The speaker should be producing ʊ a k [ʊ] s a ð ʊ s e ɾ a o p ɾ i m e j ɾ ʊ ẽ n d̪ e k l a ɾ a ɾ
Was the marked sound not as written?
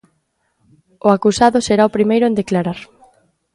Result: yes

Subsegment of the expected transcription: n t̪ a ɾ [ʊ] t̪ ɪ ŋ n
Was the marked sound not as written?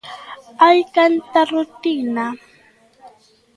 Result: no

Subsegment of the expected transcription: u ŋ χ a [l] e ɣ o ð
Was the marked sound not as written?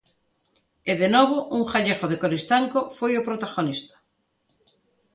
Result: yes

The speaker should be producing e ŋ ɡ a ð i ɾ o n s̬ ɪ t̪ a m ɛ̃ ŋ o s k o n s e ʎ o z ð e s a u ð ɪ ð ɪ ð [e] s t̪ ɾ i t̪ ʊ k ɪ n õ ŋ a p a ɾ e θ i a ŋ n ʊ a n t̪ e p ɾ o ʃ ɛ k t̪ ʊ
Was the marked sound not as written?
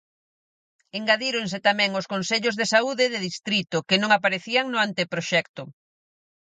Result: yes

